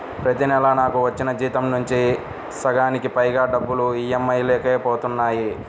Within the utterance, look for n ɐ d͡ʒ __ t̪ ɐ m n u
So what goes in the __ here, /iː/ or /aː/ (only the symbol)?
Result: iː